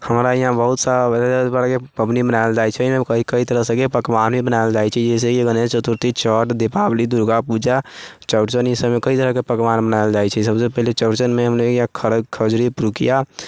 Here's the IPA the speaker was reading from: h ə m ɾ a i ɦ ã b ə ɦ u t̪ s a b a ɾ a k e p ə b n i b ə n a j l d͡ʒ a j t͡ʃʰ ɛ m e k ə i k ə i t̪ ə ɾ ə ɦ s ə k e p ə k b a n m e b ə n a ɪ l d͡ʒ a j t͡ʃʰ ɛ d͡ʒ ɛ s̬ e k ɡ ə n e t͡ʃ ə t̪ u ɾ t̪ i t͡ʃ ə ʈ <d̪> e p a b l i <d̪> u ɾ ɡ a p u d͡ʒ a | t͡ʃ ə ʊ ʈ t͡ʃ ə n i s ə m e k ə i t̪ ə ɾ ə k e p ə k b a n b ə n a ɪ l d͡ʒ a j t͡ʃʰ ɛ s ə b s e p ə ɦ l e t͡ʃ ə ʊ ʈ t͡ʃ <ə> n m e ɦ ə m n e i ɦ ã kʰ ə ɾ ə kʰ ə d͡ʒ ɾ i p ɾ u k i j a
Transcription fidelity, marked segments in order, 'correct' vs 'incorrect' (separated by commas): correct, correct, correct